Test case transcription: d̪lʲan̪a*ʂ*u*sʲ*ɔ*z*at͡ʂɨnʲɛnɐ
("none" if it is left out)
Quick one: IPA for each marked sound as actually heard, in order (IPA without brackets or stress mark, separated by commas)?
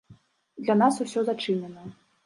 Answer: s, sʲ, z